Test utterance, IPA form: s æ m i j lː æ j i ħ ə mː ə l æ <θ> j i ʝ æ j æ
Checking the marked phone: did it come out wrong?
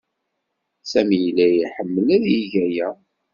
yes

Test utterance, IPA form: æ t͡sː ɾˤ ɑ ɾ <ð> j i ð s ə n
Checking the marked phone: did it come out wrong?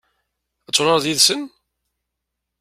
no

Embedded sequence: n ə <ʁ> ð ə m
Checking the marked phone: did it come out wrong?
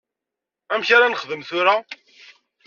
yes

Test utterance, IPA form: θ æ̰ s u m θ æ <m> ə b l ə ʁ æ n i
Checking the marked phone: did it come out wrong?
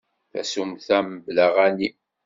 no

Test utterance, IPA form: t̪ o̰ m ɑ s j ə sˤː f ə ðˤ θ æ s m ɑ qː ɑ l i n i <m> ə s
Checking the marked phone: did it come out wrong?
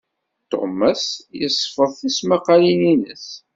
yes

